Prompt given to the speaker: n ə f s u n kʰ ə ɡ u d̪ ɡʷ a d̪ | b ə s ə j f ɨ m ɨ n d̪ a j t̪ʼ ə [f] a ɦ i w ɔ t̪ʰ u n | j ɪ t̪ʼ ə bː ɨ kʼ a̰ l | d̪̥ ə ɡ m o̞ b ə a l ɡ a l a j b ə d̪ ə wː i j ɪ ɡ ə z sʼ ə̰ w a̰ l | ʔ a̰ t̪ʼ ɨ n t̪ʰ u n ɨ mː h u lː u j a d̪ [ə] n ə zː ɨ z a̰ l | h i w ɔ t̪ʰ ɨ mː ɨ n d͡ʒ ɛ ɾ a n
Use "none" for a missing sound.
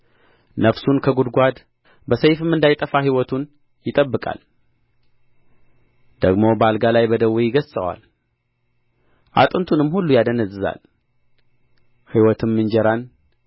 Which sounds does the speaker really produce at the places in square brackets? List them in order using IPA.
f, ə

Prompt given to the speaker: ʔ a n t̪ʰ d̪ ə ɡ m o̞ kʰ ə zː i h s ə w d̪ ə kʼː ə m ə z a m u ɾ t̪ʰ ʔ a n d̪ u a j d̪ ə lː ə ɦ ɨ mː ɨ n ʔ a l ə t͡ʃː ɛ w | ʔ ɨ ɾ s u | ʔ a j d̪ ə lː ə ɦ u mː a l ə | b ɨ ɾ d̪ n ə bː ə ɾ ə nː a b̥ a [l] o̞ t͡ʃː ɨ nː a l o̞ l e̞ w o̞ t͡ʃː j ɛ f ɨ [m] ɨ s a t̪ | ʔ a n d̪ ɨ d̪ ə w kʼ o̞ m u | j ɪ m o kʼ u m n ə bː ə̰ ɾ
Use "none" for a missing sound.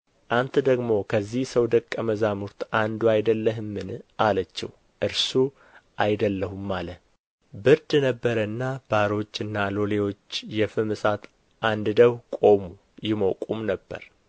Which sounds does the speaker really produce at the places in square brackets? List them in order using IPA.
ɾ, m

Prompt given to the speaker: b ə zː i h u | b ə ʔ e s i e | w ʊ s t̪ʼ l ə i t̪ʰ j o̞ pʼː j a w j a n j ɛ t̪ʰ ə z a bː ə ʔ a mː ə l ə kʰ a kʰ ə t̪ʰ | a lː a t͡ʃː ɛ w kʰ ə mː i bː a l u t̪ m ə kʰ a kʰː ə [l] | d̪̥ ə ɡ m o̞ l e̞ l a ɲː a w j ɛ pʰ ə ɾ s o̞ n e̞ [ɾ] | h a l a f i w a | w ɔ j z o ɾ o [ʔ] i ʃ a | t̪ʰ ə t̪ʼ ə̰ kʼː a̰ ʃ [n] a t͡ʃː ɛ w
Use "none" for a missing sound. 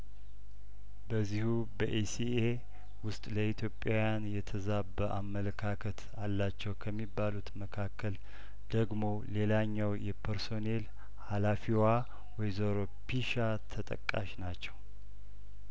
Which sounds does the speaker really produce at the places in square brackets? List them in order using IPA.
l, l, p, n

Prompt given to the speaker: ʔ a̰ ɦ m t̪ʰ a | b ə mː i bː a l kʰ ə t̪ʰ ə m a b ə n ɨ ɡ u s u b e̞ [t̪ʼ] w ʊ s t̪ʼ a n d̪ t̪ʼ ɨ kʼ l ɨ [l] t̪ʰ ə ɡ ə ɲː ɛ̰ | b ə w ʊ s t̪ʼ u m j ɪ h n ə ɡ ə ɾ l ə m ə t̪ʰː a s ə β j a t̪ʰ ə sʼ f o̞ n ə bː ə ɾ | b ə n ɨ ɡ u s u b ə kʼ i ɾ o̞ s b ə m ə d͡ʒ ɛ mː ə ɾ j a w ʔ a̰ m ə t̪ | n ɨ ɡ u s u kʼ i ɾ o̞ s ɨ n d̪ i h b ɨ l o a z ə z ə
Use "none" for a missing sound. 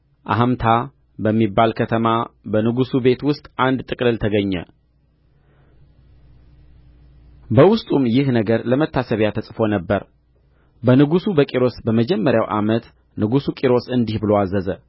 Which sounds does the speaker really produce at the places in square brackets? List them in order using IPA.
t̪, l

